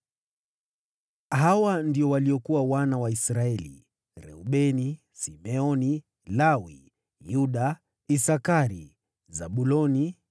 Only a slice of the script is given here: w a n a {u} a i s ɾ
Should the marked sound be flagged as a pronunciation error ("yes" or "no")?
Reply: yes